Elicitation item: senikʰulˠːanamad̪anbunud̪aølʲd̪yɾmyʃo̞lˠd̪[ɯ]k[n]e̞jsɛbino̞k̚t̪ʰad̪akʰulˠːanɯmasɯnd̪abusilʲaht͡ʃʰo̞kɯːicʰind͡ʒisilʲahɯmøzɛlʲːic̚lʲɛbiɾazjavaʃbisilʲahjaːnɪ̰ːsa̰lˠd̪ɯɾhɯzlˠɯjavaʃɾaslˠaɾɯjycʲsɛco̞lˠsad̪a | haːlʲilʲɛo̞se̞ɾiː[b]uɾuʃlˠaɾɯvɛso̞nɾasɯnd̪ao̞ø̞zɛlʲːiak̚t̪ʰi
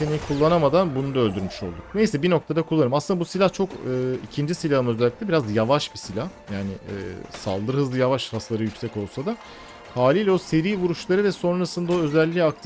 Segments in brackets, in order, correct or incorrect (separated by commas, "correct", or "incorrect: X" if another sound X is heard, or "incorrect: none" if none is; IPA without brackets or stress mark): incorrect: u, correct, incorrect: v